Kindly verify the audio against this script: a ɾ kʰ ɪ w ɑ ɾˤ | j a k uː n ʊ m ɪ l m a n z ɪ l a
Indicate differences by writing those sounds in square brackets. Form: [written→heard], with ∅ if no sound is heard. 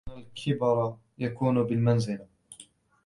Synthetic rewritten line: a [ɾ→l] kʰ ɪ [w→b] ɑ ɾˤ | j a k uː n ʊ [m→b] ɪ l m a n z ɪ l a